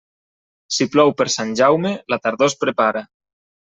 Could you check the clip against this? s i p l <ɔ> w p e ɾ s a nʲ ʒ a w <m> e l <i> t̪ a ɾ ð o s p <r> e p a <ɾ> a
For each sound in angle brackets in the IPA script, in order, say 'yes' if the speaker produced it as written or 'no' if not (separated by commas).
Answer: yes, yes, no, no, yes